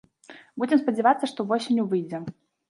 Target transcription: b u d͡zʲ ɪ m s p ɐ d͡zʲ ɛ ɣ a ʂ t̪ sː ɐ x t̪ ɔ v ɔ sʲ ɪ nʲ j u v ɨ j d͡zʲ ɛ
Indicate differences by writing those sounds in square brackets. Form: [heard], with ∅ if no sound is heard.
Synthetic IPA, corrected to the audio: b u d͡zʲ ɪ m s p ɐ d͡zʲ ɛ [v] a [∅] t̪ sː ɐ [ʂ] t̪ ɔ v ɔ sʲ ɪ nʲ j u v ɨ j d͡zʲ ɛ